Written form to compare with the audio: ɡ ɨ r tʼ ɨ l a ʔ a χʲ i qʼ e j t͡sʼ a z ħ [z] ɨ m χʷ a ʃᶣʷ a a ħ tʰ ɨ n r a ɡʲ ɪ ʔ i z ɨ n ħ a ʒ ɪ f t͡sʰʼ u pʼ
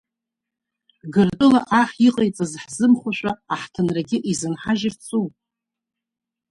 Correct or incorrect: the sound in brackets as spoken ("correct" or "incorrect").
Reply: correct